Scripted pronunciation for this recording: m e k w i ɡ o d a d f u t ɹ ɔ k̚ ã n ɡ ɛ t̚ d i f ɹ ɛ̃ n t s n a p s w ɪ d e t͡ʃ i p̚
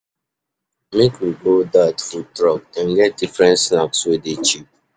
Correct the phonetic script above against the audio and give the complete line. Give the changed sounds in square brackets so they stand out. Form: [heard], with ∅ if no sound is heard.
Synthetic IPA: m e k w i ɡ o d a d f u t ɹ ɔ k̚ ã n ɡ ɛ t̚ d i f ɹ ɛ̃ n t s n a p s w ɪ d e t͡ʃ i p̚